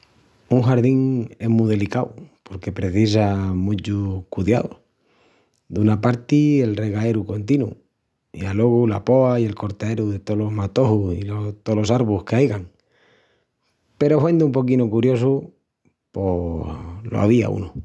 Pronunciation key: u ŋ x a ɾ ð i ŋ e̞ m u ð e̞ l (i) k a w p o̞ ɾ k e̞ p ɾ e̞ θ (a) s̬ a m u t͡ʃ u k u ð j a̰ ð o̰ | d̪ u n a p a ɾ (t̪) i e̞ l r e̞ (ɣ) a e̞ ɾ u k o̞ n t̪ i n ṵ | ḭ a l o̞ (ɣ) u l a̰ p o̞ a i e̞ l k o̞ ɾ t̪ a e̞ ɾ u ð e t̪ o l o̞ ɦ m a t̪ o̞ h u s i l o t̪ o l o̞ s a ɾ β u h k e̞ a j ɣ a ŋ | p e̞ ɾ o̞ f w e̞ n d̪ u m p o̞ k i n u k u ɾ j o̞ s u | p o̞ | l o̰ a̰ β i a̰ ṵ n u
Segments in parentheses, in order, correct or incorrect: correct, incorrect, correct, correct, correct

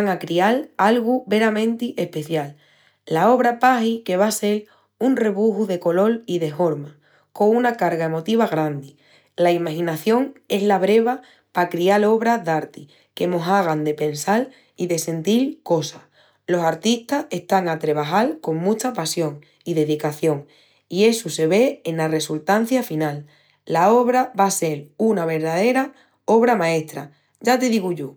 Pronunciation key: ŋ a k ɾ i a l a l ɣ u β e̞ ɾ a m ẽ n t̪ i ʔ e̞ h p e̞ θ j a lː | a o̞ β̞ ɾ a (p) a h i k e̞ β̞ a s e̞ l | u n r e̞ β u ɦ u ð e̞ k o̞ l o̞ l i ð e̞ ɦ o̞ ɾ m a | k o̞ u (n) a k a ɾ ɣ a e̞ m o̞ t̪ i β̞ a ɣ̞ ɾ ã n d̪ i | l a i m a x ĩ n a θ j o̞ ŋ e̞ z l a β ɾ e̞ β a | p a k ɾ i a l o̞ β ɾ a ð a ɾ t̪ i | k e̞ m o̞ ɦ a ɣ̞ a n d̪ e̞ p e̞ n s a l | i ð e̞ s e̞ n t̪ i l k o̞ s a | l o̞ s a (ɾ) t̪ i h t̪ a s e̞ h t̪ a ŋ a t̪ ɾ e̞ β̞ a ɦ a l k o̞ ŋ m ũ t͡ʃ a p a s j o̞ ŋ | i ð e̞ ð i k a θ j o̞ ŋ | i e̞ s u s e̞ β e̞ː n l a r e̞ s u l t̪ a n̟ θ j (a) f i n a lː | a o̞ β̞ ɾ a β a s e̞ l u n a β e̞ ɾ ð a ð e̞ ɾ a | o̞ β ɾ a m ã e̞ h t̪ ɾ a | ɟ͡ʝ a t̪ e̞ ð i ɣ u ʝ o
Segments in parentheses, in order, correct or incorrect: correct, correct, correct, correct

